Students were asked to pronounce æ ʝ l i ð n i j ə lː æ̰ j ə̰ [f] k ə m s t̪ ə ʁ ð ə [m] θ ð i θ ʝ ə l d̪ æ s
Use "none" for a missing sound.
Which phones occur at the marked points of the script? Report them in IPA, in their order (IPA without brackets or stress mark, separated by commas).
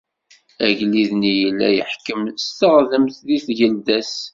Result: ħ, m